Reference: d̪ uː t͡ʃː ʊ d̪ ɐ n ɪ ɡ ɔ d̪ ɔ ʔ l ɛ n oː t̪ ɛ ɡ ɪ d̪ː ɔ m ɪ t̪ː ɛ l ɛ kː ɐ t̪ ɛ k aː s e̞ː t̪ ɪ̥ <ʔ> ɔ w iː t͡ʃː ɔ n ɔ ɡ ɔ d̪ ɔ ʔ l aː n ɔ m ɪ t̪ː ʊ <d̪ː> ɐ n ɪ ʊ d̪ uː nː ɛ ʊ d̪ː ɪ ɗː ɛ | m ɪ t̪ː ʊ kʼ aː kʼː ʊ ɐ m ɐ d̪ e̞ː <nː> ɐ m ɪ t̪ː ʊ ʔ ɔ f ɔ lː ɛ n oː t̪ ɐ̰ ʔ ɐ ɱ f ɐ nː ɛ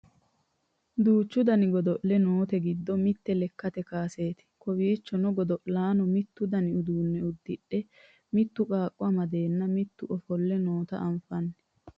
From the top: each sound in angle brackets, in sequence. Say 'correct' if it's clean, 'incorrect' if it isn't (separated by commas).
incorrect, incorrect, correct